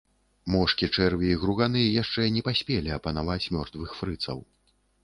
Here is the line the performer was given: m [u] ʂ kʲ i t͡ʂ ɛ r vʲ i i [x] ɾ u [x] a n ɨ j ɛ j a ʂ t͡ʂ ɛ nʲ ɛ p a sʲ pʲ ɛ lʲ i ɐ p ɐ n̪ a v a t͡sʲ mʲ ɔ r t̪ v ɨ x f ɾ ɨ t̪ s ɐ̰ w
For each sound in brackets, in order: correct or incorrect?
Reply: incorrect, incorrect, incorrect

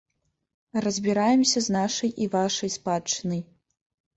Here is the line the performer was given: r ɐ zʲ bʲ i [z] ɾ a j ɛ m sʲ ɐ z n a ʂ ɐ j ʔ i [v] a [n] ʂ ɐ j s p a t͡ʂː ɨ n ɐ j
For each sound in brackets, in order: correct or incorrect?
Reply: incorrect, correct, incorrect

